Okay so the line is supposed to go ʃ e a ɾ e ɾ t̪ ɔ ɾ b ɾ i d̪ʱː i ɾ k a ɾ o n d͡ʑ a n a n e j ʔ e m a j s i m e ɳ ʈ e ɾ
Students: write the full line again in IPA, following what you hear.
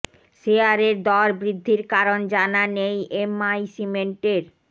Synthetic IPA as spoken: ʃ e a ɾ e ɾ d̪ ɔ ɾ b ɾ i d̪ʱː i ɾ k a ɾ o n d͡ʑ a n a n e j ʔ e m a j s i m e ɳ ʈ e ɾ